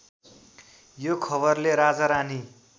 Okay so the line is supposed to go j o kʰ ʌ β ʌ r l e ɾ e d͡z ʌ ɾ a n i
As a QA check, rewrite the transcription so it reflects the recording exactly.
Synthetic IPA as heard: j o kʰ ʌ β ʌ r l e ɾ a d͡z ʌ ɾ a n i